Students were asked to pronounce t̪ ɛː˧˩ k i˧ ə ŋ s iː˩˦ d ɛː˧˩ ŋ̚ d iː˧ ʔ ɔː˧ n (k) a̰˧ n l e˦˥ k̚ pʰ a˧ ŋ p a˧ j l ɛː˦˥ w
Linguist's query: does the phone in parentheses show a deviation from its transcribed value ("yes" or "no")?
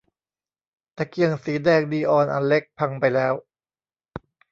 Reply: yes